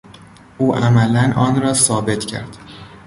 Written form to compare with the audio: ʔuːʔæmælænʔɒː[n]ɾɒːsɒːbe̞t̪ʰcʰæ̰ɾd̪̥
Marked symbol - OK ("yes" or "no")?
yes